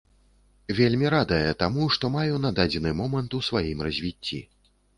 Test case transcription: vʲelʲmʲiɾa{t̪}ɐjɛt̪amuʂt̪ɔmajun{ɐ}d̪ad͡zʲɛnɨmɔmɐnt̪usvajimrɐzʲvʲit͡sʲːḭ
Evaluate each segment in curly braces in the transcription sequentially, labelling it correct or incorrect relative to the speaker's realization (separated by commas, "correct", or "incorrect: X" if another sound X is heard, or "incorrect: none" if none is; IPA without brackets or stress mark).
incorrect: d̪, incorrect: a